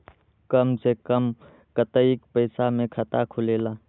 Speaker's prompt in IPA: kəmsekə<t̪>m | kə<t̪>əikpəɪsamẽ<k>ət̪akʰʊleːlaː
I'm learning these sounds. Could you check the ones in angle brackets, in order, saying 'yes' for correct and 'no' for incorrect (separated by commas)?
no, yes, no